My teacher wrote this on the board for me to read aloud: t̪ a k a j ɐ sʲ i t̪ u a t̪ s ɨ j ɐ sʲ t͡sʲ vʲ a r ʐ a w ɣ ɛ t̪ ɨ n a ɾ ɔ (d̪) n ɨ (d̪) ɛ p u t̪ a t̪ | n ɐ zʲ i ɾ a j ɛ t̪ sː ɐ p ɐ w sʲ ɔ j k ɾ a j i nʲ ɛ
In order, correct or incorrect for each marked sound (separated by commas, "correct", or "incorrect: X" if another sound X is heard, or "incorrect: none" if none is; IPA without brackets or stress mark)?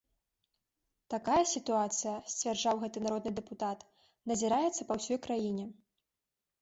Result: correct, correct